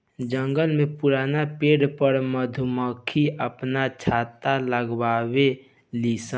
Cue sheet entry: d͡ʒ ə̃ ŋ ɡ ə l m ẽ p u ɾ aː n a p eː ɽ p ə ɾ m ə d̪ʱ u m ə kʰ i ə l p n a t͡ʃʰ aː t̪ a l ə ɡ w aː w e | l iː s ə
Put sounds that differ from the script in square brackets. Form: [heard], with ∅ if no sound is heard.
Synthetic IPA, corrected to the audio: d͡ʒ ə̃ ŋ ɡ ə l m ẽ p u ɾ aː n a p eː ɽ p ə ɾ m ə d̪ʱ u m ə kʰ i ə [∅] p n a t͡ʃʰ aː t̪ a l ə ɡ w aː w e | l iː s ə